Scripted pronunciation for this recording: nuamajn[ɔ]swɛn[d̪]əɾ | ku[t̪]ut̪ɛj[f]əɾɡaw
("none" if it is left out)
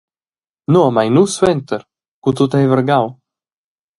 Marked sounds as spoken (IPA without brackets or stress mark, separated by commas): u, t̪, t̪, v